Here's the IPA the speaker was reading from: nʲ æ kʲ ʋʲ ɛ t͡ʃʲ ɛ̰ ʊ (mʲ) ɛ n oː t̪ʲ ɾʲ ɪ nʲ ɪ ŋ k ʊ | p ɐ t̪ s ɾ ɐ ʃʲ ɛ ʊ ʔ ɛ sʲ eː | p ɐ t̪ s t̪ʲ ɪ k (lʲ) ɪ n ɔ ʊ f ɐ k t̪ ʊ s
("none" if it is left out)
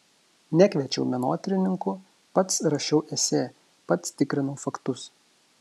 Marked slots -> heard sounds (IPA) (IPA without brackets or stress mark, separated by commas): mʲ, ɾʲ